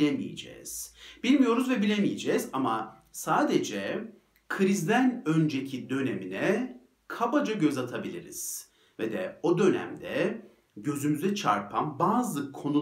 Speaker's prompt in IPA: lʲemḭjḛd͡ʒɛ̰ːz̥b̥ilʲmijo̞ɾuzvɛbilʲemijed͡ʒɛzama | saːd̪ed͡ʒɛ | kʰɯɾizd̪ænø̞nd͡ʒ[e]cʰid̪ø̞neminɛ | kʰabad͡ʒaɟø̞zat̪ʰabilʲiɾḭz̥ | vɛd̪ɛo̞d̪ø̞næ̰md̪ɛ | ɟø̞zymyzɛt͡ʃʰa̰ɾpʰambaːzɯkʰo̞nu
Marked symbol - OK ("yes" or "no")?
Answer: yes